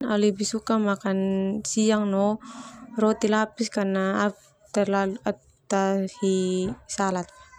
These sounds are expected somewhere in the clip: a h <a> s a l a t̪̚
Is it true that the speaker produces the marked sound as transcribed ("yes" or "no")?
no